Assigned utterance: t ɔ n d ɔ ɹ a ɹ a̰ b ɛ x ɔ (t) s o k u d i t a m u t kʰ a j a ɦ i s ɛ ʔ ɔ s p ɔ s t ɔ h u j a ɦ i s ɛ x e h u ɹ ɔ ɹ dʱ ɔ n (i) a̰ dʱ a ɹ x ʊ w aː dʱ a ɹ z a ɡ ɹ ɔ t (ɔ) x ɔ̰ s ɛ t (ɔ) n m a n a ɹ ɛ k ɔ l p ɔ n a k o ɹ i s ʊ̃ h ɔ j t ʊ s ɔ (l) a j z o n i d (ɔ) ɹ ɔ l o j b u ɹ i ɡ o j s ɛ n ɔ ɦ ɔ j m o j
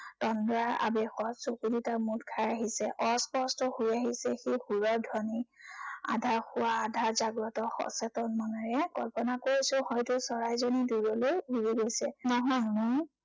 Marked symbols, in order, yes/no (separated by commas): yes, yes, yes, yes, no, no